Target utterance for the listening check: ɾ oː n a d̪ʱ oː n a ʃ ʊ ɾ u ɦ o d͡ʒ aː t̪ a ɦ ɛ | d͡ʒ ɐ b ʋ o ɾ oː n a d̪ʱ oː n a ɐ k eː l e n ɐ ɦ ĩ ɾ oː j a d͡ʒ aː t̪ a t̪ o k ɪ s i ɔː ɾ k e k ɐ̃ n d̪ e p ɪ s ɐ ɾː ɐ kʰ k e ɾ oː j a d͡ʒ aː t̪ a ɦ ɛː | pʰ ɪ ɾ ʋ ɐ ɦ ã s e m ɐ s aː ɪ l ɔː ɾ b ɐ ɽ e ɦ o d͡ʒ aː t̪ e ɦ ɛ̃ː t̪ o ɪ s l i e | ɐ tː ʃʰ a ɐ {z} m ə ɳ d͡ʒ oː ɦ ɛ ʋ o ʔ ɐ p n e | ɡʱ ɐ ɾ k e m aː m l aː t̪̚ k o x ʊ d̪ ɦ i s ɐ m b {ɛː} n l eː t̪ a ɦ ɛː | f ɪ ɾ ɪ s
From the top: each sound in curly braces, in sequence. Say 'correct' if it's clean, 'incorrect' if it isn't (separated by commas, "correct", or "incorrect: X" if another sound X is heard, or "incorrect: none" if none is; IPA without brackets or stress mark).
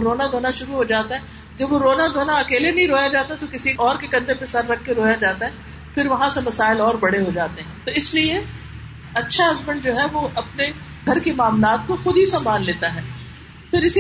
correct, incorrect: aː